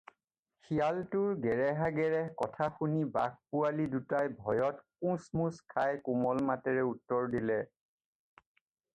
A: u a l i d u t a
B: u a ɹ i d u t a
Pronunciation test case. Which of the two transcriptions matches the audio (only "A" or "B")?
A